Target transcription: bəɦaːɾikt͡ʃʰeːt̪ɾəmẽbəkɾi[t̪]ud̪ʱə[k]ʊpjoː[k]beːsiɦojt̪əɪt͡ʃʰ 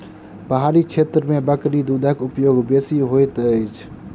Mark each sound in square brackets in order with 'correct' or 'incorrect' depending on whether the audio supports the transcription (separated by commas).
incorrect, correct, incorrect